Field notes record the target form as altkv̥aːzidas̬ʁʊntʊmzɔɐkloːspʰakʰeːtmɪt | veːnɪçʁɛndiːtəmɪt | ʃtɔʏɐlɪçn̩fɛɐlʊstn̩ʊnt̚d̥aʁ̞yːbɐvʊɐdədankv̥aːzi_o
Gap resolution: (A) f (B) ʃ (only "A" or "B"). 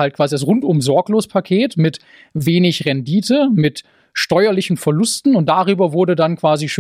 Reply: B